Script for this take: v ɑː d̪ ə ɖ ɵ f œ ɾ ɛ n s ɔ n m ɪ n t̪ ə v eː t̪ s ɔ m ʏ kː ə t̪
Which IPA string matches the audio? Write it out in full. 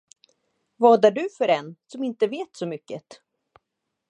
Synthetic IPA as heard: v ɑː d̪ a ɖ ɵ f œ ɾ ɛ n s ɔ m ɪ n t̪ ə v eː t̪ s ɔ m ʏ kː ə t̪